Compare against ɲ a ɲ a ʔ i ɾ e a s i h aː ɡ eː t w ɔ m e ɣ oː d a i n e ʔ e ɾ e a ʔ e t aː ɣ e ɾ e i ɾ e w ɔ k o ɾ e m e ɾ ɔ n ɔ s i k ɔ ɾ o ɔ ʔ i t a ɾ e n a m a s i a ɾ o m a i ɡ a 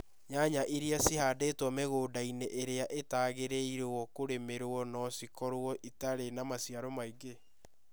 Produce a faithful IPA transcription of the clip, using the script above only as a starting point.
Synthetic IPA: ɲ a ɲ a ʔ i ɾ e a s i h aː d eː t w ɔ m e ɣ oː d a i n e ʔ e ɾ e a ʔ e t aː ɣ e ɾ e i ɾ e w ɔ k o ɾ e m e ɾ ɔ n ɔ s i k ɔ ɾ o ɔ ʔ i t a ɾ e n a m a s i a ɾ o m a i ɡ e